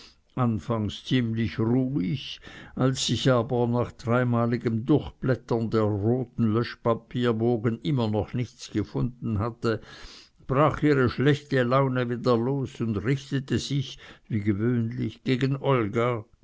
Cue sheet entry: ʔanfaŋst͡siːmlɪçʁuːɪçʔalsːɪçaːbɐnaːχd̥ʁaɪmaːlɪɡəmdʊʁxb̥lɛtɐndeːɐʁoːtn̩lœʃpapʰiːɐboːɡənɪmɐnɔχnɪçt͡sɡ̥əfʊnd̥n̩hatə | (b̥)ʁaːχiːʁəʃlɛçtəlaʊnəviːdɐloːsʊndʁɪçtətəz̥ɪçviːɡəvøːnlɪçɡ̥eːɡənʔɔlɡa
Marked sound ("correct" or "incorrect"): correct